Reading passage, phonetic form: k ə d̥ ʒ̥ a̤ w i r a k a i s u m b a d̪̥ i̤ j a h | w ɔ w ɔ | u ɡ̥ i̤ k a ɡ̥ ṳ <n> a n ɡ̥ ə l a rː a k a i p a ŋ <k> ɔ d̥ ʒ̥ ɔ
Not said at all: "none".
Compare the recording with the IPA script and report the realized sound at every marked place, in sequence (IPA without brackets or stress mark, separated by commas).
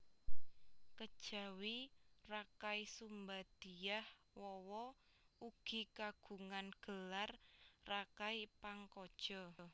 ŋ, k